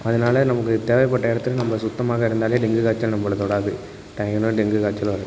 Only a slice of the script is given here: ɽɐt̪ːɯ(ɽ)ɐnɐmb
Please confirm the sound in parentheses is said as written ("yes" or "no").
no